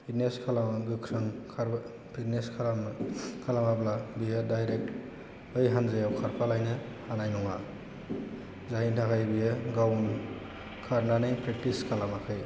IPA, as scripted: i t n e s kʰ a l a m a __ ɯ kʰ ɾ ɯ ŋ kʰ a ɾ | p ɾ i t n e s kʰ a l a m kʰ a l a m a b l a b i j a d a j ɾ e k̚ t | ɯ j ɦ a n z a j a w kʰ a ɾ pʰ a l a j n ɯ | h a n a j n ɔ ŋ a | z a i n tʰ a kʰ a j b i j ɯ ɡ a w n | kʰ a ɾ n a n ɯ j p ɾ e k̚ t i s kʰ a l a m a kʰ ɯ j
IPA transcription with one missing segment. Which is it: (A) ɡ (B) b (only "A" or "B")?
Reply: A